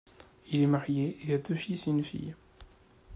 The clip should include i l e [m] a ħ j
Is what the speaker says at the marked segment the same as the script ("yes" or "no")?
yes